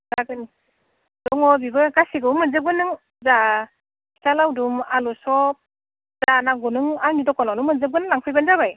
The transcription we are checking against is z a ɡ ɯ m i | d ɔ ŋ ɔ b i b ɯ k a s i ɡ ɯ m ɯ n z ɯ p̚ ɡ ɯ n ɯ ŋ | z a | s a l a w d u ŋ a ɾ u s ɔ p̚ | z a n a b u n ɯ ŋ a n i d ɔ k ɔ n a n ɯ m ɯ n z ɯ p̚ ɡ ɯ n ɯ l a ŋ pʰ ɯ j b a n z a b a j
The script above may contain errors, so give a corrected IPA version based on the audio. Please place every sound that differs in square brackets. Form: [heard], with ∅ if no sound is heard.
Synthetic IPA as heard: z a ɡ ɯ [n] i | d ɔ ŋ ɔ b i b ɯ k a s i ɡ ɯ m ɯ n z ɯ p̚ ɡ ɯ n ɯ ŋ | z a | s a l a w d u [m] a [l] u s ɔ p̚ | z a n a [ɡ] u n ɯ ŋ a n i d ɔ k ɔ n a n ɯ m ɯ n z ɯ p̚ ɡ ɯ n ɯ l a ŋ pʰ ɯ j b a n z a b a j